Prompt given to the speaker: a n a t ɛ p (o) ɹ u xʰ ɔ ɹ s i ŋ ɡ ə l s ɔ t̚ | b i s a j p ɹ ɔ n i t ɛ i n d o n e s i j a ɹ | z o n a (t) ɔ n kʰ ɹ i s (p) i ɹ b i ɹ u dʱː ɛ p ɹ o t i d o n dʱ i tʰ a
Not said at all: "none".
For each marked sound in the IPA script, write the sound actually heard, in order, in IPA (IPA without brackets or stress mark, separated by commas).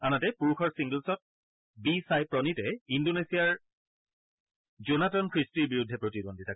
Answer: u, t, t